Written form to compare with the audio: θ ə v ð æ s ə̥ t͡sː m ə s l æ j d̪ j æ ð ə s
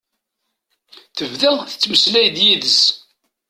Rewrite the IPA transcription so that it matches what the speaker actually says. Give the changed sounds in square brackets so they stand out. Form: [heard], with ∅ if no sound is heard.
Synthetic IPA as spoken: θ ə v ð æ [θ] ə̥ t͡sː m ə s l æ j d̪ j [i] ð ə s

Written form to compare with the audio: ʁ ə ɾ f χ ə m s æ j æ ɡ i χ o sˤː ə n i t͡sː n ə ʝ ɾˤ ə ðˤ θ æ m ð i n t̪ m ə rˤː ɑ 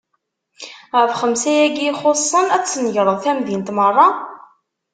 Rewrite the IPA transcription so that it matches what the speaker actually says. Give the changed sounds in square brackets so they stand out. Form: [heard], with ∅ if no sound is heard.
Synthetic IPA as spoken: ʁ ə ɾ f χ ə m s æ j æ ɡ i χ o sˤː ə n [æ] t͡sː n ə ʝ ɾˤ ə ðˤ θ æ m ð i n t̪ m ə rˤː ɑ

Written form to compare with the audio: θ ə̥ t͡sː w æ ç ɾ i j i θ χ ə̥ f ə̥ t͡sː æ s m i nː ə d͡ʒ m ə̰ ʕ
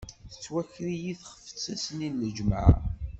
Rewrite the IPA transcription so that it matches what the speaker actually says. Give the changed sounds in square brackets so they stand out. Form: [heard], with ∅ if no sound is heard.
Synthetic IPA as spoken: θ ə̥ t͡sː w æ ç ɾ i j i θ χ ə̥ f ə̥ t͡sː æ s [n] i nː ə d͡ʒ m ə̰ ʕ

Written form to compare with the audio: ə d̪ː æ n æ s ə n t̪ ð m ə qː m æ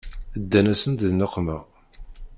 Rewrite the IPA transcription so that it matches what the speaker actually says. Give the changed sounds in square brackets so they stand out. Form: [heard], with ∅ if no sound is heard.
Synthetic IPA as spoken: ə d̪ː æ n æ s ə n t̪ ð [n] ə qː m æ

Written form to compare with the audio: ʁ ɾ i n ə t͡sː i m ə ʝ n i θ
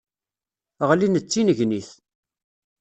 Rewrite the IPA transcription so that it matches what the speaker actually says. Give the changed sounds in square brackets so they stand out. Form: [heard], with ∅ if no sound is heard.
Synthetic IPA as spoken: ʁ [l] i n ə t͡sː i [n] ə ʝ n i θ

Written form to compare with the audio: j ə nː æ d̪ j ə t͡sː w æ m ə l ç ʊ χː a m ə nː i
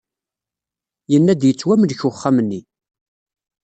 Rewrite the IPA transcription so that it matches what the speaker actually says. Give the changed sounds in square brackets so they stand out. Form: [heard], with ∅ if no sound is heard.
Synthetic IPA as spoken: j ə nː æ d̪ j ə t͡sː w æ m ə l ç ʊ χː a m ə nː i

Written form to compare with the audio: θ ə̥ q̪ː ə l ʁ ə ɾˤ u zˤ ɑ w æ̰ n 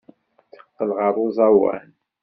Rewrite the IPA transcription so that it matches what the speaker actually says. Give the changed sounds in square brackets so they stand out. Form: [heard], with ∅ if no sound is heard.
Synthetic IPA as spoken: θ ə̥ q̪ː ə l ʁ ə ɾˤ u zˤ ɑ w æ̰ n

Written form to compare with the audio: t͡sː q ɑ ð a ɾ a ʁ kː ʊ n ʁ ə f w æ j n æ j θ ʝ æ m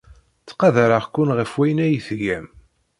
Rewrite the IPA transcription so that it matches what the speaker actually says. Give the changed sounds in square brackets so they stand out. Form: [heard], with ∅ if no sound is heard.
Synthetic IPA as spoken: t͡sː q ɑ ð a ɾ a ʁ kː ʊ n ʁ ə f w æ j n æ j θ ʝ æ m

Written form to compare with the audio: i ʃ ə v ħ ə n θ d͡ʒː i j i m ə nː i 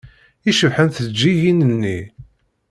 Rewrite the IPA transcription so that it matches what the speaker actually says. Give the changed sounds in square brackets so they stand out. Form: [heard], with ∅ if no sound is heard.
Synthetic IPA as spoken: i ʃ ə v ħ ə n θ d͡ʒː i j i [n] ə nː i

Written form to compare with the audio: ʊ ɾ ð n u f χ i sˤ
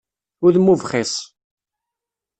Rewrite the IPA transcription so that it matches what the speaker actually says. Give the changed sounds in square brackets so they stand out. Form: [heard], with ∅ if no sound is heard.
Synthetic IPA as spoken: ʊ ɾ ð [m] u [v] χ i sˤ

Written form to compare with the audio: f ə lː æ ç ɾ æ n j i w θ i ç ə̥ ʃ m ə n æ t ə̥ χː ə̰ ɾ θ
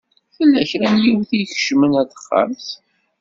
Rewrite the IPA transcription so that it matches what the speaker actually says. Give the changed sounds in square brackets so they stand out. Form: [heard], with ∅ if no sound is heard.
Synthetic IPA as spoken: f ə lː æ ç ɾ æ n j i w θ i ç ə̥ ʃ m ə n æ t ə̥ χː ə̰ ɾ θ

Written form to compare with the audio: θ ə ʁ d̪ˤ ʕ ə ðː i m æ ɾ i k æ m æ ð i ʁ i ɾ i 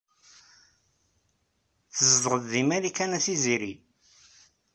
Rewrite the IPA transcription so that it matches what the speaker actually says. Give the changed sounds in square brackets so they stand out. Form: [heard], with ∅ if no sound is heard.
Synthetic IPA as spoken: θ ə [z] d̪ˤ [ʁ] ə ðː i m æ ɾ i k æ [n] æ [θ] i [z] i ɾ i

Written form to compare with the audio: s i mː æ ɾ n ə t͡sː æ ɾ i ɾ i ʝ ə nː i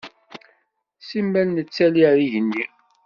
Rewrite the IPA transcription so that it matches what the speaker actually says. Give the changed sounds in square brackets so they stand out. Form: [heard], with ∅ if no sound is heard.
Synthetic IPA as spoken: s i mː æ [l] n ə t͡sː æ [l] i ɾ i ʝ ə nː i

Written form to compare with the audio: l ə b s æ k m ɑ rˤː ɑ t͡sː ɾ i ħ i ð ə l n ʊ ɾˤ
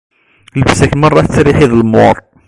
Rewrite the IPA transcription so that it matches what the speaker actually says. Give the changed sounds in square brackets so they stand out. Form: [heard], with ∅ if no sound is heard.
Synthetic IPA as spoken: l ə b s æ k m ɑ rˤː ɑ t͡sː ɾ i ħ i ð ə l [m] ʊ ɾˤ

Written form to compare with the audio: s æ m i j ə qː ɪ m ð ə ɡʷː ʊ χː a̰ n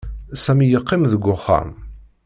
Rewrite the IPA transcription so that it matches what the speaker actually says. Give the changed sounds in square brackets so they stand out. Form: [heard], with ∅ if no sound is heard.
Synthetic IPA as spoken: s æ m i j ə qː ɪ m ð ə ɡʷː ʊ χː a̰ [m]

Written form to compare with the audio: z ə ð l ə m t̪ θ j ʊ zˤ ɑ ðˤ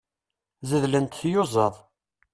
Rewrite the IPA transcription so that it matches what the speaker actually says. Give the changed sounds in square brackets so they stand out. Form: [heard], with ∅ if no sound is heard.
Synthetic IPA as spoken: z ə ð l ə [n] t̪ θ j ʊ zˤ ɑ ðˤ

